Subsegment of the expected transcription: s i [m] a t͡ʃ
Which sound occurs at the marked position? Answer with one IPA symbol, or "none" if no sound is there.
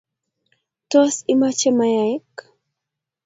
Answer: m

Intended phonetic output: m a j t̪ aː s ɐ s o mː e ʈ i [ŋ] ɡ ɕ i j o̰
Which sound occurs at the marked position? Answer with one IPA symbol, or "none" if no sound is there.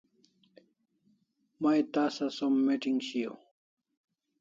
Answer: ŋ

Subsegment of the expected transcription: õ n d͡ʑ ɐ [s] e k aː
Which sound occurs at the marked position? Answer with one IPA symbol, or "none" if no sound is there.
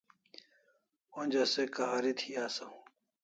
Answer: s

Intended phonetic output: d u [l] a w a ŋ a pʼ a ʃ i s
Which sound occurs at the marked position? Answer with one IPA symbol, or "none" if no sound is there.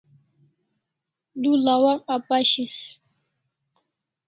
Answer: l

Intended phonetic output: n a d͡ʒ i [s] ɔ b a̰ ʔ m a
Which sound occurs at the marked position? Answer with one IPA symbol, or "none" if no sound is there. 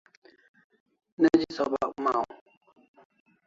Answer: s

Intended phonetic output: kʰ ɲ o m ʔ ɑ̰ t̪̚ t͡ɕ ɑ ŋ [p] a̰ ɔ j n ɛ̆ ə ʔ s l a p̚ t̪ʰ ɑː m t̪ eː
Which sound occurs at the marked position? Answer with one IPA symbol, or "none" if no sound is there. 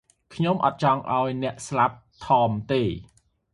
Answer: ʔ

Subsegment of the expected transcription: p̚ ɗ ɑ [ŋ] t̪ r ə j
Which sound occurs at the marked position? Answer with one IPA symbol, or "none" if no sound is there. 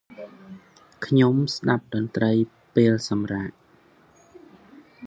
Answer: n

